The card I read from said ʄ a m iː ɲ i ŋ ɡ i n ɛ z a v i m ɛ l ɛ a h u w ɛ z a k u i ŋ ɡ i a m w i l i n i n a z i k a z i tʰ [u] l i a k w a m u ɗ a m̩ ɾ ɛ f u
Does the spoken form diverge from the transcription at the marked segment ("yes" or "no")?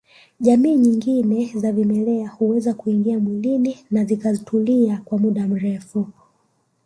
no